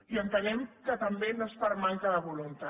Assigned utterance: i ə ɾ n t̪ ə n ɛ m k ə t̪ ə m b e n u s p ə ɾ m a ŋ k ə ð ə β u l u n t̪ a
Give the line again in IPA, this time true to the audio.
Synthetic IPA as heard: i ə n t̪ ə n ɛ m k ə t̪ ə m b e n o s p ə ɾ m a ŋ k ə ð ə β u l u n t̪ a

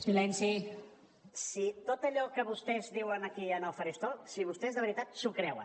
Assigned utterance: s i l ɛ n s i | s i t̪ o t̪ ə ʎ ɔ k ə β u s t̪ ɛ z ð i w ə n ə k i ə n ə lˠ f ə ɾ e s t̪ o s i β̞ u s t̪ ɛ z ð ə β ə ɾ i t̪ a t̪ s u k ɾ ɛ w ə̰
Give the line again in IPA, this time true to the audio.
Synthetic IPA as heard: s i l ɛ n s i | s i t̪ o t̪ ə ʎ ɔ k ə β u s t̪ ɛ z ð i w ə n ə k i ə n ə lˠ f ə ɾ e s t̪ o s i β̞ u s t̪ ɛ z ð ə β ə ɾ i t̪ a t̪ s u k ɾ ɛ w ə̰

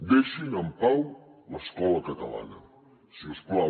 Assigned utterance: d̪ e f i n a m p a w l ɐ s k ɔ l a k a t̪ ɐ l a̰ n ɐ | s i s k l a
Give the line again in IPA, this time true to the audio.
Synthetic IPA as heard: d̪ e ʃ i n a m p a w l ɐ s k ɔ l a k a t̪ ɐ l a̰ n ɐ | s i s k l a

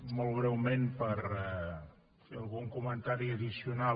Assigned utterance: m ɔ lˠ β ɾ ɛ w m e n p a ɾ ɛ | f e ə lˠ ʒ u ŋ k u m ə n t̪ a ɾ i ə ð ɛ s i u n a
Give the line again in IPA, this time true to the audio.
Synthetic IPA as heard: m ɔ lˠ β ɾ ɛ w m e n p ə ɾ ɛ | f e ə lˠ ɣ u ŋ k u m ə n t̪ a ɾ i ə ð i s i u n a

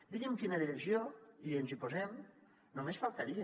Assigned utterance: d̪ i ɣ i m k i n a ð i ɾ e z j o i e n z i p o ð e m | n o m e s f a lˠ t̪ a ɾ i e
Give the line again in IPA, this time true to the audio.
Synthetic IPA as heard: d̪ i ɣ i m k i n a ð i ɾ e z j o i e n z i p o z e m | n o m e s f a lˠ t̪ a ɾ i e

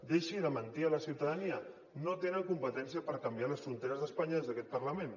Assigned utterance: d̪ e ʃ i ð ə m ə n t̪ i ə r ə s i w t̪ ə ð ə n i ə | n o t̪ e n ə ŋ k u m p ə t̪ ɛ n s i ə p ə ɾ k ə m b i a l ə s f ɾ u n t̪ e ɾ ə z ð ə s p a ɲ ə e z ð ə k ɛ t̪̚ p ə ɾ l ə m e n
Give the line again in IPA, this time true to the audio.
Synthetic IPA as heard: d̪ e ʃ i ð ə m ə n t̪ i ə l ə s i w t̪ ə ð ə n i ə | n o t̪ e n ə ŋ k u m p ə t̪ ɛ n s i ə p ə ɾ k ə m b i a l ə s f ɾ u n t̪ e ɾ ə z ð ə s p a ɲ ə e z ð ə k ɛ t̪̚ p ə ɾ l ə m e n

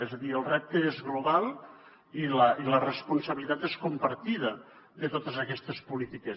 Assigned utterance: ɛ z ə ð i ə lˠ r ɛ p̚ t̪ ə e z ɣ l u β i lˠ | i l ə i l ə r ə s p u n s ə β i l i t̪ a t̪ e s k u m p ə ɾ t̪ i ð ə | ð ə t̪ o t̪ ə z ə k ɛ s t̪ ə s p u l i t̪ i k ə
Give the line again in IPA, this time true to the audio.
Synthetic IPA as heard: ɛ z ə ð i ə lˠ r ɛ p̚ t̪ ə e z ɣ l u β a lˠ | i l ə i l ə r ə s p u n s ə β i l i t̪ a t̪ e s k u m p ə ɾ t̪ i ð ə | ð ə t̪ o t̪ ə z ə k ɛ s t̪ ə s p u l i t̪ i k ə

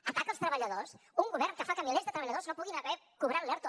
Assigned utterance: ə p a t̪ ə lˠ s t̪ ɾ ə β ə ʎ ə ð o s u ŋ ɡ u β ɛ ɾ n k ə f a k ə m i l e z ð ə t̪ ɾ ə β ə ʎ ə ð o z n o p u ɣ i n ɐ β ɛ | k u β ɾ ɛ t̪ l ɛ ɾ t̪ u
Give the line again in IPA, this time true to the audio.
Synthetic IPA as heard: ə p a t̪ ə lˠ s t̪ ɾ ə β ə ʎ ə ð o s u ŋ ɡ u β ɛ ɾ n k ə f a k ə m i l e z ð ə t̪ ɾ ə β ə ʎ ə ð o z n o p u ɣ i n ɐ β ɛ | k u β ɾ a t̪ l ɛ ɾ t̪ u

